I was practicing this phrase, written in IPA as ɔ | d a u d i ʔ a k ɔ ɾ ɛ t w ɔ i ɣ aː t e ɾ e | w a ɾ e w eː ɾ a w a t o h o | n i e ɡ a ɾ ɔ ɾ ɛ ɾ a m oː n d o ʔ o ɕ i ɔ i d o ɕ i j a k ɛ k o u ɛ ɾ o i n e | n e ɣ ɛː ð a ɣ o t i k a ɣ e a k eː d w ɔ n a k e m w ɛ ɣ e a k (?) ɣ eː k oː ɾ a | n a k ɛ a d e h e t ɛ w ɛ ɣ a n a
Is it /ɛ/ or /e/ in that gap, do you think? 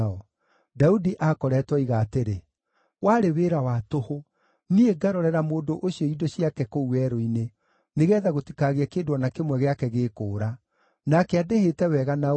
ɛ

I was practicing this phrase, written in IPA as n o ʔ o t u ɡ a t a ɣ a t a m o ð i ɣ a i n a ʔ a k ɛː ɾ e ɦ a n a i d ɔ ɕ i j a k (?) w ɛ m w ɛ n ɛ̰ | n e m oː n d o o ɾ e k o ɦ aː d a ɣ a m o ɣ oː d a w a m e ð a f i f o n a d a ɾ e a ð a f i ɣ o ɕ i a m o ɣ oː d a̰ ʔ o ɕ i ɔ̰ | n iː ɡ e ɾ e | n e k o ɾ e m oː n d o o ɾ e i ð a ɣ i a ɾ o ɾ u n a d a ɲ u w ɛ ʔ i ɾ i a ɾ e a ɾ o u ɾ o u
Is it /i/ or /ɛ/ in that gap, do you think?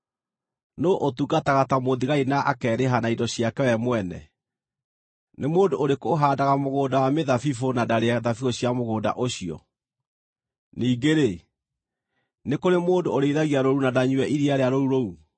ɛ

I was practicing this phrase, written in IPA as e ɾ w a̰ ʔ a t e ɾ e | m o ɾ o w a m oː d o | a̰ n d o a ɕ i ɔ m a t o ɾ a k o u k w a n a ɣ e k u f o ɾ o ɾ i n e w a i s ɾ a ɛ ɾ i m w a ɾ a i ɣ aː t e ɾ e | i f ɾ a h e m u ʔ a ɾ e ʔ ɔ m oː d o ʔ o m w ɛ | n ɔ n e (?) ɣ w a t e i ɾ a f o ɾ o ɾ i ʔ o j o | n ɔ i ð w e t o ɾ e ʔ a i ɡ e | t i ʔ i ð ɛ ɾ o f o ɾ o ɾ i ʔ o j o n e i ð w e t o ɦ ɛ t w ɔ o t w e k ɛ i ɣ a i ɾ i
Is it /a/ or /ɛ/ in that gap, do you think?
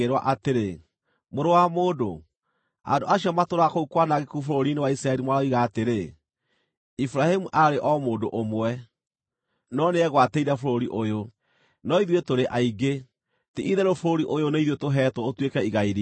ɛ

